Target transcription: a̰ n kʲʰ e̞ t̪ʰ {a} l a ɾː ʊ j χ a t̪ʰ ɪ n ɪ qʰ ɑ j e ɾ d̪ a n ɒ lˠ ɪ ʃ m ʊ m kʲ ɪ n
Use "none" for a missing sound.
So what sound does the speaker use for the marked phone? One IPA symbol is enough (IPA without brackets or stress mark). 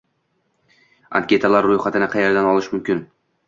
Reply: a